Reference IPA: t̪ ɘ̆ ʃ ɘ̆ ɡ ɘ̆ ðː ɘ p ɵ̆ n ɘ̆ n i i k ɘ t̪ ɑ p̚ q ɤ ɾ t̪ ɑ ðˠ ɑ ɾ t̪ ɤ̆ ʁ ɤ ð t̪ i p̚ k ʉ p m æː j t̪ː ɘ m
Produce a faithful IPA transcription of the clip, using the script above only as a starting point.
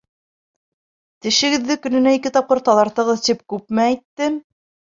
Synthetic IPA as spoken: t̪ ɘ̆ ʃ ɘ̆ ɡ ɘ̆ ðː ɘ k ɵ̆ n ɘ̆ n æ i k ɘ t̪ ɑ p̚ q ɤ ɾ t̪ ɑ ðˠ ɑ ɾ t̪ ɤ̆ ʁ ɤ ð t̪ i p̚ k ʉ p m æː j t̪ː ɘ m